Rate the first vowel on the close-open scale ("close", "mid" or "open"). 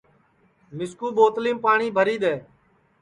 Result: close